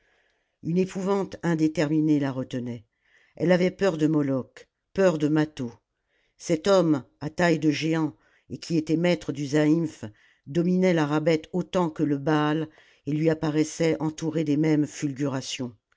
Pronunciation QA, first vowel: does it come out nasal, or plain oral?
oral